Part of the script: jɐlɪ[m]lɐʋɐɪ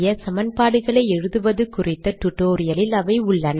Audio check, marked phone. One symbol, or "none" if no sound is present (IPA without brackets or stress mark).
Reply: none